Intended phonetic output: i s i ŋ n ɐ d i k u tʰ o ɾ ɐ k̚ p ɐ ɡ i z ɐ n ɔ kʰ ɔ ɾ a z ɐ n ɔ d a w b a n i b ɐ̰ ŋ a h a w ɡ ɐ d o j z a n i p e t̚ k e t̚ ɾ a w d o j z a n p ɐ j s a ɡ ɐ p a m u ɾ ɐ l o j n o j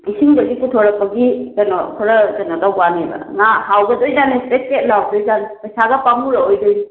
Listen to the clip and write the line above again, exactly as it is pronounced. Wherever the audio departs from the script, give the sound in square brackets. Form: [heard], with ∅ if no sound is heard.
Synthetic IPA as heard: i s i ŋ [d] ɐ [ɡ] i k u tʰ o ɾ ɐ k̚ p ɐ ɡ i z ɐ n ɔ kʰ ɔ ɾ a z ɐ n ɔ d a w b a n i b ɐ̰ ŋ a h a w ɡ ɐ d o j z a n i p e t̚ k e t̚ [l] a w d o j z a n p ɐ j s a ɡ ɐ p a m u ɾ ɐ [∅] o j [d] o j